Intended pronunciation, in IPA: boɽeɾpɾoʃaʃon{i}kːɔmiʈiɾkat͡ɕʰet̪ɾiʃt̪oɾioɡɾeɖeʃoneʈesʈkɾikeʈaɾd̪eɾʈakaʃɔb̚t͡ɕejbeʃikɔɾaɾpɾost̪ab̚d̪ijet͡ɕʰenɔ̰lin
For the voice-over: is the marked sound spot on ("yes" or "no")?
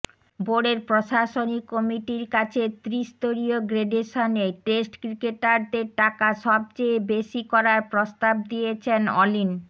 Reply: yes